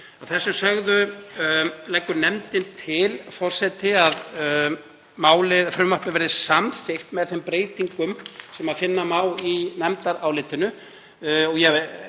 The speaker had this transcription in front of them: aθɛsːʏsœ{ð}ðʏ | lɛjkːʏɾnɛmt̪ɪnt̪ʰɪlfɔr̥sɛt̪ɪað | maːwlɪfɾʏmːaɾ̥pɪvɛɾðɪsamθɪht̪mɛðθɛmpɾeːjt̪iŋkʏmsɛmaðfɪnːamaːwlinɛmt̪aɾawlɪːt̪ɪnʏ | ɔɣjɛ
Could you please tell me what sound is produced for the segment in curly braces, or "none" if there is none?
ɣ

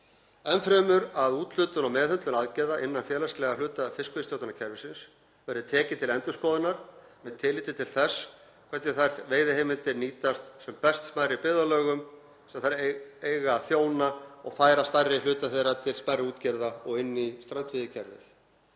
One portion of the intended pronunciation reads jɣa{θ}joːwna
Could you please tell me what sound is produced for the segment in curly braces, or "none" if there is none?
θ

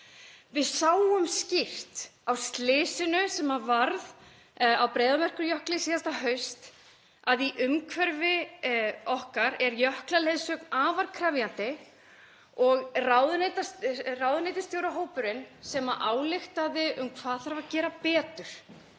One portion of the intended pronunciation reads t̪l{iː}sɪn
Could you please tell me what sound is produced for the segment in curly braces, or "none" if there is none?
ɪː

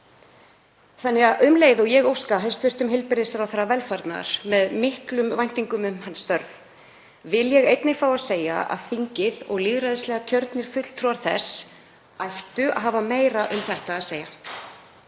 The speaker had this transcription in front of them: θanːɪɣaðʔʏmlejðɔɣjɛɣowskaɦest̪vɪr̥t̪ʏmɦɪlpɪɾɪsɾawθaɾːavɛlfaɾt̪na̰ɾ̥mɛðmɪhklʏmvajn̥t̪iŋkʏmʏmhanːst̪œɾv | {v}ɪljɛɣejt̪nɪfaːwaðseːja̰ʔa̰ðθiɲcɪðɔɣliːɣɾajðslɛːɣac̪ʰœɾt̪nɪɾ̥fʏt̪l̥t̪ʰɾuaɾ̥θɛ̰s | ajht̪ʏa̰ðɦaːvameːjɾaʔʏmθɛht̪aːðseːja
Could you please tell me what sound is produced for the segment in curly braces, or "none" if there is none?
v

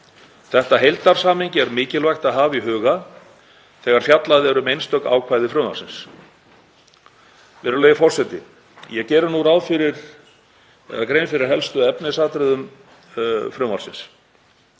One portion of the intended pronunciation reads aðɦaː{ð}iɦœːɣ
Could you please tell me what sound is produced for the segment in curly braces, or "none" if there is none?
v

